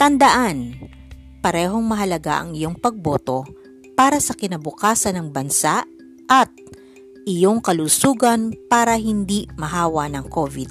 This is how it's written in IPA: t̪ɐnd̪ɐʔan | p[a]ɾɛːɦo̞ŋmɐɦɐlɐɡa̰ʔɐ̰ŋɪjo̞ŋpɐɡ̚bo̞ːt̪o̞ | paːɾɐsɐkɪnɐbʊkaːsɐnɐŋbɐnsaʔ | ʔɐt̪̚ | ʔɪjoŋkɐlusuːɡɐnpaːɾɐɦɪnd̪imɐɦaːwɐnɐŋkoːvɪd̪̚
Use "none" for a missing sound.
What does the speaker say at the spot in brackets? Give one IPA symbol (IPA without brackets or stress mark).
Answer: ɐ